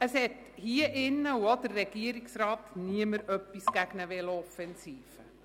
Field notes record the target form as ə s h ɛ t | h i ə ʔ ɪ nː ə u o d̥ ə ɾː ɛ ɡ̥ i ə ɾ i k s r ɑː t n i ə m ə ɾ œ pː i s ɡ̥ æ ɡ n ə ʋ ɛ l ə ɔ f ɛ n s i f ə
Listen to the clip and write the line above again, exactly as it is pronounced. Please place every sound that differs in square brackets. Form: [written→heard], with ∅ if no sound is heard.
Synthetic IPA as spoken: ə s h ɛ t | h i ə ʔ ɪ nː ə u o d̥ ə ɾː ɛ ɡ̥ i ə ɾ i k s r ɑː t n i ə m ə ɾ œ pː i s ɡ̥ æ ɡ n ə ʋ ɛ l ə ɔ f ɛ n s [i→iː] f ə